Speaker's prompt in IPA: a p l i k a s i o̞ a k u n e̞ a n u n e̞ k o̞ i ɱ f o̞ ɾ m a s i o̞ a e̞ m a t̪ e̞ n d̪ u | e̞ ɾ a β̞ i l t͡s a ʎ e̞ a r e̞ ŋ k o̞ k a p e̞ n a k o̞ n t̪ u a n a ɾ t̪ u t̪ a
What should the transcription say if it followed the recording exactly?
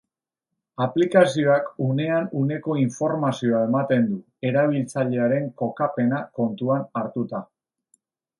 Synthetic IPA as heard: a p l i k a s i o̞ a k u n e̞ a n u n e̞ k o̞ i ɱ f o̞ ɾ m a s i o̞ a e̞ m a t̪ e̞ n d̪ u | e̞ ɾ a β̞ i l t͡s a ʎ e̞ a ɾ e̞ ŋ k o̞ k a p e̞ n a k o̞ n t̪ u a n a ɾ t̪ u t̪ a